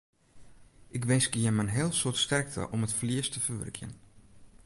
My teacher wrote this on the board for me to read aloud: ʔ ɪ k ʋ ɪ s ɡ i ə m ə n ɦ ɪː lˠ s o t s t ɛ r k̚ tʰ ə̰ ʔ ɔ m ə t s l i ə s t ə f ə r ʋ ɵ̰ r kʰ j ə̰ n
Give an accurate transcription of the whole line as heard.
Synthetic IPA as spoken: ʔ ɪ k ʋ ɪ s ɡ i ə m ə n ɦ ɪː lˠ s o t s t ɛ r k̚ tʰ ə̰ ʔ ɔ m ə t f l i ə s t ə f ə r ʋ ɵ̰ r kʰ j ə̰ n